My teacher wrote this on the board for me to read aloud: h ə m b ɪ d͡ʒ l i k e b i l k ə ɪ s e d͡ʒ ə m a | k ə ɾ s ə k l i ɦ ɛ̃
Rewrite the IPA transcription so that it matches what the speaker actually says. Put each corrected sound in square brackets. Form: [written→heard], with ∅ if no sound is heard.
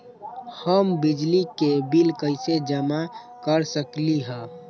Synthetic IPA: h ə m b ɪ d͡ʒ l i k e b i l k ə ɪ s e d͡ʒ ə m a | k ə ɾ s ə k l i ɦ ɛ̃